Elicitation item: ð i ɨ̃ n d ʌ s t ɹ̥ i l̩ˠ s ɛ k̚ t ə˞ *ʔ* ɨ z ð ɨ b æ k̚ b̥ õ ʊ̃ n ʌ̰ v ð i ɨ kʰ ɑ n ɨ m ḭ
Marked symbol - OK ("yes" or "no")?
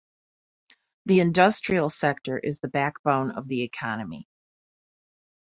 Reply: yes